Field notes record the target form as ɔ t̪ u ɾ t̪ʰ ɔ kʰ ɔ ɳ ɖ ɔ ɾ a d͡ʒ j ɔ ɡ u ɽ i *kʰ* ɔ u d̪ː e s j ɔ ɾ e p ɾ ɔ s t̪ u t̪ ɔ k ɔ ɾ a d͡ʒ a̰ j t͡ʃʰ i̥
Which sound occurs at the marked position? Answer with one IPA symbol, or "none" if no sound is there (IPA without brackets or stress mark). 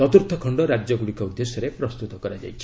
k